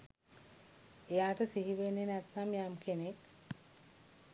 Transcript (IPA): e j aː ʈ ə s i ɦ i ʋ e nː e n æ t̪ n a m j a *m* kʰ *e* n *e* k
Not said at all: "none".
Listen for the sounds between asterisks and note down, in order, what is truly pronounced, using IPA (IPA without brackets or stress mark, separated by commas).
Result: m, e, e